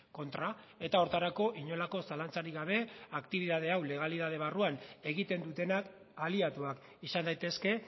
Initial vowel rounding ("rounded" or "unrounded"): rounded